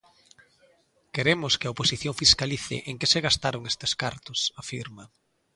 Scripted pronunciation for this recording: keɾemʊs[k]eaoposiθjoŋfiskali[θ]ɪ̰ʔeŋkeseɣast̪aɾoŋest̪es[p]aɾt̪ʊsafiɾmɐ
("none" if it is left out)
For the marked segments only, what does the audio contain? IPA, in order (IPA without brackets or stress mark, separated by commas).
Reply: k, θ, k